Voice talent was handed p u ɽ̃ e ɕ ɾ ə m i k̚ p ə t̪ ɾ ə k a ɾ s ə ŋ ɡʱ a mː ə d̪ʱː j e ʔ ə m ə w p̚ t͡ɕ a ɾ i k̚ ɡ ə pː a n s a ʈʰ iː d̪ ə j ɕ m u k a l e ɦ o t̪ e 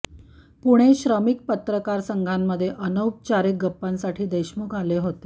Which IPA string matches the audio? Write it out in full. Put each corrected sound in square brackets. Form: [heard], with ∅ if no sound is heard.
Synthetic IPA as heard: p u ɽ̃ e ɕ ɾ ə m i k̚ p ə t̪ ɾ ə k a ɾ s ə ŋ ɡʱ a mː ə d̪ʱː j e ʔ ə [n] ə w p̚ t͡ɕ a ɾ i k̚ ɡ ə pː a n s a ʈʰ iː d̪ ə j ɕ m u k a l e ɦ o t̪ e